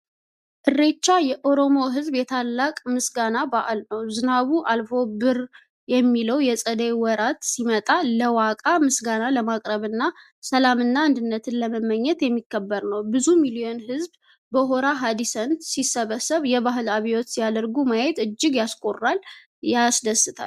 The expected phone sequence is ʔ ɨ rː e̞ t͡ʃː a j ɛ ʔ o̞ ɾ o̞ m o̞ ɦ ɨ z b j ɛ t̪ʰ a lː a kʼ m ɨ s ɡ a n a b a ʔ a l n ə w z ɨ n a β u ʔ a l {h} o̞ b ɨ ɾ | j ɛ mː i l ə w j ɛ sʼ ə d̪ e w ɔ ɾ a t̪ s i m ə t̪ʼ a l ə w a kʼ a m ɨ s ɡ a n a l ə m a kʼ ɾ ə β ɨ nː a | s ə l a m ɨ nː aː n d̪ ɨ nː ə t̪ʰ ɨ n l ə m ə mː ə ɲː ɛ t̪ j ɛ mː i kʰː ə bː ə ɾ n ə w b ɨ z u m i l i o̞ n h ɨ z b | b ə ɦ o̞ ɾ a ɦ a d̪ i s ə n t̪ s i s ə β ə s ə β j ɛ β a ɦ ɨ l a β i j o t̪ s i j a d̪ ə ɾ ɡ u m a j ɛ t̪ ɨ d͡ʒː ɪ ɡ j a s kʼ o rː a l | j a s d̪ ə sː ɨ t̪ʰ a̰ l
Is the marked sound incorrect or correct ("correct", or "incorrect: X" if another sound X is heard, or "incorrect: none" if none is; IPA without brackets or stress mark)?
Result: incorrect: f